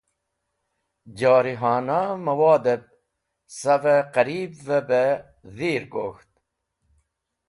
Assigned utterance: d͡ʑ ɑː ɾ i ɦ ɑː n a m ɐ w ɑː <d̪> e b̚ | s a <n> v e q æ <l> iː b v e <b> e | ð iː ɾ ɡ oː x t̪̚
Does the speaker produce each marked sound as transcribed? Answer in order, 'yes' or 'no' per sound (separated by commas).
yes, no, no, yes